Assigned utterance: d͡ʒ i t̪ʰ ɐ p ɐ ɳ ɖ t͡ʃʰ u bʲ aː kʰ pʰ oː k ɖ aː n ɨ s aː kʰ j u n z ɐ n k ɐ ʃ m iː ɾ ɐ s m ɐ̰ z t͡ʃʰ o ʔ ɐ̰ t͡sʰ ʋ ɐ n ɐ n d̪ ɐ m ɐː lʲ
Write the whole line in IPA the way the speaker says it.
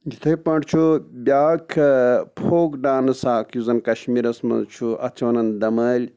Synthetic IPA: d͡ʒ i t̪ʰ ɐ p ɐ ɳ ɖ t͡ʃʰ u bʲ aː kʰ pʰ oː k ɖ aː n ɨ s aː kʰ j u z ɐ n k ɐ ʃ m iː ɾ ɐ s m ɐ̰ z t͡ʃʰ u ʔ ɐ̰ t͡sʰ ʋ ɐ n ɐ n d̪ ɐ m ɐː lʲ